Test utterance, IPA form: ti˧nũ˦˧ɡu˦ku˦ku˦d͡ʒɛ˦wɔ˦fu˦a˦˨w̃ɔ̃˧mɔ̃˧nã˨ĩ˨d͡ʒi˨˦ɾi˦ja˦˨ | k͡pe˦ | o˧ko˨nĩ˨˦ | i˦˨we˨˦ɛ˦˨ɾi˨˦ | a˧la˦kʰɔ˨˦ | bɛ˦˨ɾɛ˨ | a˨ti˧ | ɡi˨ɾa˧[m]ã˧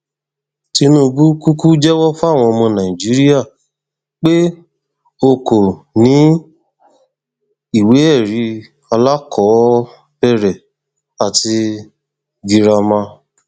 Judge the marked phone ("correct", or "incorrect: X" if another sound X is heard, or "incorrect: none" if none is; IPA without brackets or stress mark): correct